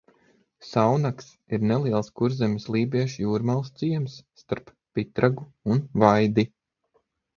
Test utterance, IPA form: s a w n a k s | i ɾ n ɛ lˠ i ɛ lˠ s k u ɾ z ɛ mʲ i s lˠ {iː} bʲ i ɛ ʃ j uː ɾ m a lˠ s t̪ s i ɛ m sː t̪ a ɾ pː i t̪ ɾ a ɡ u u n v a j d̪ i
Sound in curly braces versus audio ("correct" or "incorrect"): correct